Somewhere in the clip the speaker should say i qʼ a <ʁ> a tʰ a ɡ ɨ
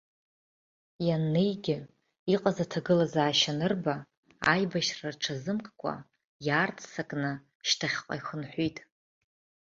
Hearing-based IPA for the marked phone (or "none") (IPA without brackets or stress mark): z